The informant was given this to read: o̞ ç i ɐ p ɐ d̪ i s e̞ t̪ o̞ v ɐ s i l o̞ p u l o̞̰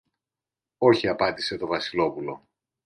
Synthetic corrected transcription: o̞ ç i ɐ p ɐ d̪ i s e̞ t̪ o̞ v ɐ s i l o̞ p u l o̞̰

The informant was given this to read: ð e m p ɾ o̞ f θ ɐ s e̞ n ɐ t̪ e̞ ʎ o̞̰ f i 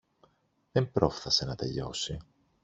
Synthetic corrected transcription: ð e m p ɾ o̞ f θ ɐ s e̞ n ɐ t̪ e̞ ʎ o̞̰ s i

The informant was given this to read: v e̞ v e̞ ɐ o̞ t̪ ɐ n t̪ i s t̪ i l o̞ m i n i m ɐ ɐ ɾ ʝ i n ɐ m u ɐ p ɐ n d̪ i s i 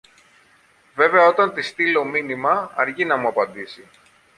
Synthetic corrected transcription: v e̞ v e̞ ɐ o̞ t̪ ɐ n t̪ i s t̪ i l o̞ m i n i m ɐ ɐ ɾ ʝ i n ɐ m u ɐ p ɐ n d̪ i s i

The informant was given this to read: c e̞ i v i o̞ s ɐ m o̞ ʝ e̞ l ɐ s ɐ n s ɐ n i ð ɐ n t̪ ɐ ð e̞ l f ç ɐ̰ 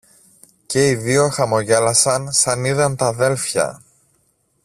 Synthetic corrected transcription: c e̞ i ð i o̞ x ɐ m o̞ ʝ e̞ l ɐ s ɐ n s ɐ n i ð ɐ n t̪ ɐ ð e̞ l f ç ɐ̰

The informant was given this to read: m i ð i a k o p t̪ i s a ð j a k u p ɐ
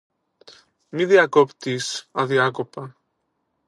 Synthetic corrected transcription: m i ð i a k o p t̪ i s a ð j a k o p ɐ

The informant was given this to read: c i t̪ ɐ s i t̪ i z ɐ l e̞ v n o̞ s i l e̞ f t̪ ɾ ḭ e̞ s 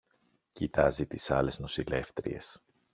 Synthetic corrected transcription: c i t̪ ɐ z i t̪ i s ɐ l e̞ z n o̞ s i l e̞ f t̪ ɾ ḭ e̞ s

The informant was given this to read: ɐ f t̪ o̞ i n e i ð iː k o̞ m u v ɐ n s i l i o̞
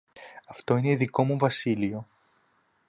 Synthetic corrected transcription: ɐ f t̪ o̞ i n e i ð i k o̞ m u v ɐ s i l i o̞

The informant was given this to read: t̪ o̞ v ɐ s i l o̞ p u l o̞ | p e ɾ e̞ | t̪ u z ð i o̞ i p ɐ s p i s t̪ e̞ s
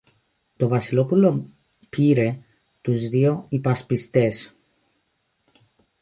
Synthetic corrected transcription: t̪ o̞ v ɐ s i l o̞ p u l o̞ | p i ɾ e̞ | t̪ u z ð i o̞ i p ɐ s p i s t̪ e̞ s

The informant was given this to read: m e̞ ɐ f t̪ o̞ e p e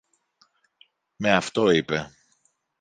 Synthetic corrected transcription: m e̞ ɐ f t̪ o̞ i p e

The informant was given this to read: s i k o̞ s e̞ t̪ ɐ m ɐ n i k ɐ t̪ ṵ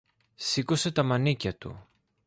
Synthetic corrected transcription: s i k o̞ s e̞ t̪ ɐ m ɐ n i c ɐ t̪ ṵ

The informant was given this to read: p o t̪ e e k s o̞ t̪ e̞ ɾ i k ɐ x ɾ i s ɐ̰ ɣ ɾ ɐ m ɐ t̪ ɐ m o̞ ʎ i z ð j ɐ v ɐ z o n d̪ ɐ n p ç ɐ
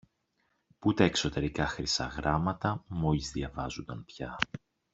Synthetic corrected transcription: p u t̪ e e k s o̞ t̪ e̞ ɾ i k ɐ x ɾ i s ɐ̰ ɣ ɾ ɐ m ɐ t̪ ɐ m o̞ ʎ i z ð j ɐ v ɐ z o n d̪ ɐ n p ç ɐ

